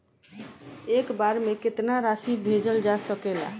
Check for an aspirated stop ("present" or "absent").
absent